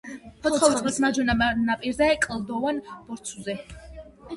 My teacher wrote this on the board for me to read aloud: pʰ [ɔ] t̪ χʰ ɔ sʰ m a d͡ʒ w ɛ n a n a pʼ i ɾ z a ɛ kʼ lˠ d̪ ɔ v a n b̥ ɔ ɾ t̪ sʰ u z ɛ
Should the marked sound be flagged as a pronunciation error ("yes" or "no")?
no